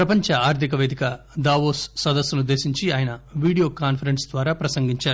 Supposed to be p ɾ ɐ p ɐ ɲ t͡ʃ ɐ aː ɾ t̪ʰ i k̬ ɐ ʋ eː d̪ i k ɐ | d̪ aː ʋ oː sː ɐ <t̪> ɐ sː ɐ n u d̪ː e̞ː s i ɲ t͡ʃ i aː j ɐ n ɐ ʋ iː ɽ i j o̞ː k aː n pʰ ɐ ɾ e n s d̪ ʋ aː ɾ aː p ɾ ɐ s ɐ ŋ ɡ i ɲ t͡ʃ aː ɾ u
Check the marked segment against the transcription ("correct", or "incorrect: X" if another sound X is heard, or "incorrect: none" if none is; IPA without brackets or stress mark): incorrect: d̪